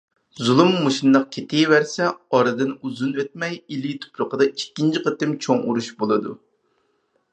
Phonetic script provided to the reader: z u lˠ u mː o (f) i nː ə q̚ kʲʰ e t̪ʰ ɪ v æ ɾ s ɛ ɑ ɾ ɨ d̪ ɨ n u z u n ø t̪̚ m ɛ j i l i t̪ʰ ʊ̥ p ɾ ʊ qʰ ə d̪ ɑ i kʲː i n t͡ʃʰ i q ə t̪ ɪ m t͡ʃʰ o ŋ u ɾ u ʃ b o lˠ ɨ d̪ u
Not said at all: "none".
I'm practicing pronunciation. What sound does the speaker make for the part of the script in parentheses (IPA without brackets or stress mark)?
ʃ